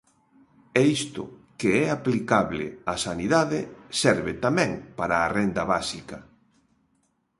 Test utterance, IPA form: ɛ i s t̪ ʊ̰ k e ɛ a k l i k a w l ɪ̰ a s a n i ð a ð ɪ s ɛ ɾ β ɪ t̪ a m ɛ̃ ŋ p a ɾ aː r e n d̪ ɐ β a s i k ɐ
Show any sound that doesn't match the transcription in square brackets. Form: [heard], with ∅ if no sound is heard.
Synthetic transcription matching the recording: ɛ i s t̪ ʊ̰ k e ɛ a [p] l i k a [β] l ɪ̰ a s a n i ð a ð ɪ s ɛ ɾ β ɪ t̪ a m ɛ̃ ŋ p a ɾ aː r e n d̪ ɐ β a s i k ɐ